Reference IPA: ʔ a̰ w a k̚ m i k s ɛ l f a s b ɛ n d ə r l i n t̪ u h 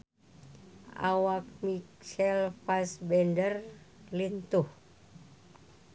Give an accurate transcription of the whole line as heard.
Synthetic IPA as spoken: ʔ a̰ w a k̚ m i k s ɛ l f a s b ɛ n d ə r l i n t̪ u h